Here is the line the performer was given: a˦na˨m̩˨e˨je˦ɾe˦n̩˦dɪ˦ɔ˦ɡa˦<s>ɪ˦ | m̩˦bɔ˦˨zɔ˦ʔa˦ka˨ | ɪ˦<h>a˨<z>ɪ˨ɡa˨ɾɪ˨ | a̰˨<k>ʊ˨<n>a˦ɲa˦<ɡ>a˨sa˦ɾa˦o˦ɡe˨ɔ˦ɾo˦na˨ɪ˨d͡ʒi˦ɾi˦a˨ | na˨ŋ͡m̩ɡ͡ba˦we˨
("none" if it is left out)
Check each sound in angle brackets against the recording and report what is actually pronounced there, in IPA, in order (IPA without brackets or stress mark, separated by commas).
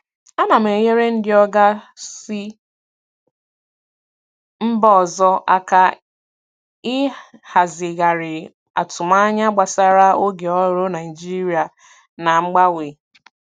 s, h, z, t, m, ɡ͡b